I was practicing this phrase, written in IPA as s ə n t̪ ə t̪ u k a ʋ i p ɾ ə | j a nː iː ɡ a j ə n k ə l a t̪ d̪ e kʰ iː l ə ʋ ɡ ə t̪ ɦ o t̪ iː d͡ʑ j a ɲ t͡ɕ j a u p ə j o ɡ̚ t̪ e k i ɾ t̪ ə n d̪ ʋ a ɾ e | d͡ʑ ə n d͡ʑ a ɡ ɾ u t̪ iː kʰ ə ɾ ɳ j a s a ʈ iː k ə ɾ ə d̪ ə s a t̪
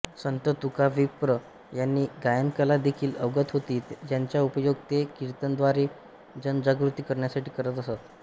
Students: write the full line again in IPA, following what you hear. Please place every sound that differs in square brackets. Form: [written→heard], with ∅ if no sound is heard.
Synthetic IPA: s ə n t̪ ə t̪ u k a ʋ i p ɾ ə | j a nː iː ɡ a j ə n k ə l a [t̪→∅] d̪ e kʰ iː l ə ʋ ɡ ə t̪ ɦ o t̪ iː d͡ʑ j a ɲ t͡ɕ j a u p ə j o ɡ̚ t̪ e k i ɾ t̪ ə n d̪ ʋ a ɾ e | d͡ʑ ə n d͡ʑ a ɡ ɾ u t̪ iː [kʰ→k] ə ɾ ɳ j a s a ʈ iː k ə ɾ ə [d̪→t̪] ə s a t̪